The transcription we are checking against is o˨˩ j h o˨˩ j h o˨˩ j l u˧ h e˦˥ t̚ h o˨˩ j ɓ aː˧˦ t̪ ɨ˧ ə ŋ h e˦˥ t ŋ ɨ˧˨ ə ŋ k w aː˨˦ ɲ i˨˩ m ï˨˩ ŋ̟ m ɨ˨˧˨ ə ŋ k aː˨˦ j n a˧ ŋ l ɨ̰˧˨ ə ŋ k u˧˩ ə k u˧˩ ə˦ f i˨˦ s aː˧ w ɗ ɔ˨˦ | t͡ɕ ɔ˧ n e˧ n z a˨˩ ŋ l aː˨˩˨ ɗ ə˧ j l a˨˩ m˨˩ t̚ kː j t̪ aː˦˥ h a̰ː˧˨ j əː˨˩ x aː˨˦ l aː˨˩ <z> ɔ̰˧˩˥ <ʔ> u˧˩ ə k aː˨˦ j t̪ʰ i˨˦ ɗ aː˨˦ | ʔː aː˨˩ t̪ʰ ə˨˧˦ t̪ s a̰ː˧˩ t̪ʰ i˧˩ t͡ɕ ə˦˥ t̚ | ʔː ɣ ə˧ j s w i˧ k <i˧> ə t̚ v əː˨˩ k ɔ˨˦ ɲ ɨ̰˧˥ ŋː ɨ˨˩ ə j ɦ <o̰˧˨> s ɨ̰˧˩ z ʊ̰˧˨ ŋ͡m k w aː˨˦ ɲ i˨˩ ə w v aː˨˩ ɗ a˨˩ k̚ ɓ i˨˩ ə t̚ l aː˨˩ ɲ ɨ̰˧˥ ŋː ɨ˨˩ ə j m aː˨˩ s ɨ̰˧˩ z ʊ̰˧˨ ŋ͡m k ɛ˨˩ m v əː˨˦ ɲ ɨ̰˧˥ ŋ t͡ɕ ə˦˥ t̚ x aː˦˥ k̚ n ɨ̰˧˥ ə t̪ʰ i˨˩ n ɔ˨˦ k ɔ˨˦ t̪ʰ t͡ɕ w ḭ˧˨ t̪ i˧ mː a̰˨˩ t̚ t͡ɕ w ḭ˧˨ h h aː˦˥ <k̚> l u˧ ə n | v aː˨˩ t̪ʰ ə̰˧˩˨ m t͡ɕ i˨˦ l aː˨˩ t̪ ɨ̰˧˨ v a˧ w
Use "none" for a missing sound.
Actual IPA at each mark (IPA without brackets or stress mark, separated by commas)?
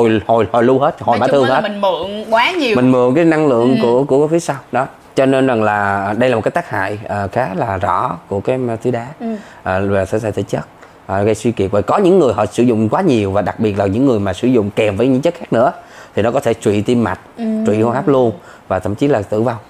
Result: z, k, i˨˩, ɔ̰˧˨, p̚